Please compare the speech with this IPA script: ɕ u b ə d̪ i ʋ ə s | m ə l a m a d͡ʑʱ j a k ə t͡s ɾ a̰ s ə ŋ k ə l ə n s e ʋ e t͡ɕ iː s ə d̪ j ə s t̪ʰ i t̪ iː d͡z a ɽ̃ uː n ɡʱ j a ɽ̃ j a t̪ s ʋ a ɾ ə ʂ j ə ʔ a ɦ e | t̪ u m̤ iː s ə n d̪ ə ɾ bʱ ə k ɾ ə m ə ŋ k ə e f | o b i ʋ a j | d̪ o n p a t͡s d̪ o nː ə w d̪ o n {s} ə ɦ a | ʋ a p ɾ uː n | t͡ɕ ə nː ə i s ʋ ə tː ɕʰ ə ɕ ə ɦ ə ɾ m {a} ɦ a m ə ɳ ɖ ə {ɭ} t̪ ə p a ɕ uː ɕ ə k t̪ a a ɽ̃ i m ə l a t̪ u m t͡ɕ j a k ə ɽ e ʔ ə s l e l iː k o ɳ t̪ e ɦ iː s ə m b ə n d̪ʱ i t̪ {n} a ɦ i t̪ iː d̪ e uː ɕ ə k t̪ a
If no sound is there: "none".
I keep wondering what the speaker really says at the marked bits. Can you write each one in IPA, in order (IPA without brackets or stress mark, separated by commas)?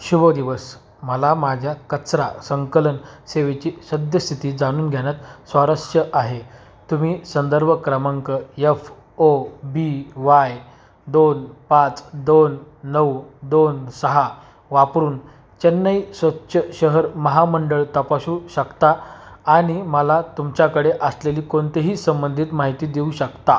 s, ə, ɭ, m